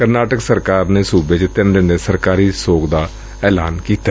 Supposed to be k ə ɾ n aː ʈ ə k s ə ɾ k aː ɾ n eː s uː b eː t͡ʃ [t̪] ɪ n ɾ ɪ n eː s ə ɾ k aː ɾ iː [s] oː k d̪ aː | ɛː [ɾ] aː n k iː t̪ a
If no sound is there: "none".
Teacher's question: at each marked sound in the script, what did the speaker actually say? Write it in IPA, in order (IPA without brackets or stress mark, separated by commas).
t̪, s, l